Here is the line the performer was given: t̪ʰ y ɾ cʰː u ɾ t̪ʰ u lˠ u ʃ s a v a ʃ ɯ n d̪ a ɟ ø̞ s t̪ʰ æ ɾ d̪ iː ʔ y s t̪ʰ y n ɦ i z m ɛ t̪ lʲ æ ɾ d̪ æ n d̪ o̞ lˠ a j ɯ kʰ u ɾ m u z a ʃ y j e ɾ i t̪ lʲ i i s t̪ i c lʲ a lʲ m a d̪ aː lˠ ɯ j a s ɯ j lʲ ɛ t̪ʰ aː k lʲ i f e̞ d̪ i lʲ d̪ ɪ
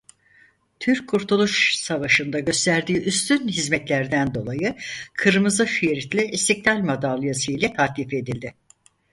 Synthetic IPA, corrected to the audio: t̪ʰ y ɾ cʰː u ɾ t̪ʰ u lˠ u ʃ s a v a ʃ ɯ n d̪ a ɟ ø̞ s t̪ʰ æ ɾ d̪ iː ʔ y s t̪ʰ y n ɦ i z m ɛ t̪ lʲ æ ɾ d̪ æ n d̪ o̞ lˠ a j ɯ kʰ ɯ ɾ m ɯ z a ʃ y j e ɾ i t̪ lʲ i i s t̪ i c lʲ a lʲ m a d̪ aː lˠ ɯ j a s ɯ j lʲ ɛ t̪ʰ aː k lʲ i f e̞ d̪ i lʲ d̪ ɪ